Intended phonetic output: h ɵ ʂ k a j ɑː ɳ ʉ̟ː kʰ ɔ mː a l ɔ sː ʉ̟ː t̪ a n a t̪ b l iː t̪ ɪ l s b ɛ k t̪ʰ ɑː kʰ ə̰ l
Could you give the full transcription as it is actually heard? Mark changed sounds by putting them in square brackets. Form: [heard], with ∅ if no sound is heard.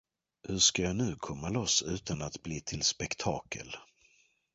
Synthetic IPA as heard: h ɵ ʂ k a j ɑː [n] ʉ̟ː kʰ ɔ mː a l ɔ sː ʉ̟ː t̪ a n a t̪ b l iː [t̪ʰ] ɪ l s [p] ɛ k t̪ʰ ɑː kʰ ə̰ l